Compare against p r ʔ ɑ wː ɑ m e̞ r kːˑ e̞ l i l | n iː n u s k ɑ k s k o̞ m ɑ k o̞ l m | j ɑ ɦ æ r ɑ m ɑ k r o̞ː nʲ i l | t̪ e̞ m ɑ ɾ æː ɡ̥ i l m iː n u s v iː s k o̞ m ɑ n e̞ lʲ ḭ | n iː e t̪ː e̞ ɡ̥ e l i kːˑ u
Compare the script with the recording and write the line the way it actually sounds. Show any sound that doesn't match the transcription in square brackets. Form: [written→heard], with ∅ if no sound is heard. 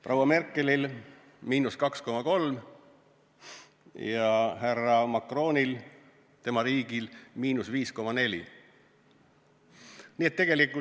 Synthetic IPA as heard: p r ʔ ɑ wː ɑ m e̞ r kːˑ e̞ l i l | [n→m] iː n u s k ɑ k s k o̞ m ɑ k o̞ l m | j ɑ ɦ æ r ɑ m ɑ k r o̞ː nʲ i l | t̪ e̞ m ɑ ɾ [æː→iː] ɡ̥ i l m iː n u s v iː s k o̞ m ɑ n e̞ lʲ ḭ | n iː e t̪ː e̞ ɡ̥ e l i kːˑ u